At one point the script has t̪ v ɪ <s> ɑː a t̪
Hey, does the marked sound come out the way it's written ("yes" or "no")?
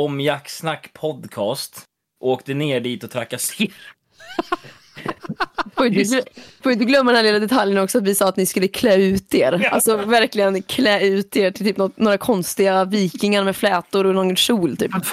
yes